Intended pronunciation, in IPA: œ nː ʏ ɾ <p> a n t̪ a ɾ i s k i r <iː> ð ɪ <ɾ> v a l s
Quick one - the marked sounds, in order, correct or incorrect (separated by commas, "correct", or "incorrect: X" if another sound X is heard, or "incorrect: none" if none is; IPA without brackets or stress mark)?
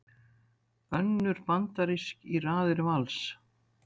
correct, incorrect: aː, correct